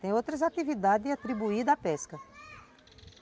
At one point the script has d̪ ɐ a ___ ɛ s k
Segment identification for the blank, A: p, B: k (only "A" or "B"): A